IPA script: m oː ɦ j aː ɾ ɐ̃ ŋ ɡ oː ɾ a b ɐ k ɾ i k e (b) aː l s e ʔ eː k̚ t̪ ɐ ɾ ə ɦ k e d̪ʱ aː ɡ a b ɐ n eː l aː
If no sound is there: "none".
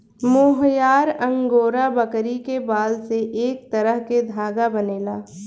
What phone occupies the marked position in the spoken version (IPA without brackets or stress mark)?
b